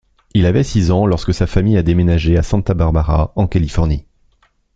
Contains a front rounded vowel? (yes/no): no